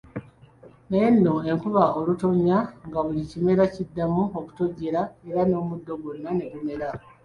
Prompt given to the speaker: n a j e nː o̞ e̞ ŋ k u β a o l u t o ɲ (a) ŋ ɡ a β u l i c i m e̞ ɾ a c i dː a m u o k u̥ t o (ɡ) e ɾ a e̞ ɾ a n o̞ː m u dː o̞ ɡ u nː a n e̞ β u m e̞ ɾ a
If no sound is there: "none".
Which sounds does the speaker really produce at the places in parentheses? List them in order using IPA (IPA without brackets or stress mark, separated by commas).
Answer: a, ɟ